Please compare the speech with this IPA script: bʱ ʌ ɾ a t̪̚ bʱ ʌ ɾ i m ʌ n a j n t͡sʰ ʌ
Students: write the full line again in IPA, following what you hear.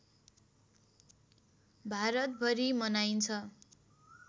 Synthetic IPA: bʱ a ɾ ʌ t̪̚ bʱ ʌ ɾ i m ʌ n a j n t͡sʰ ʌ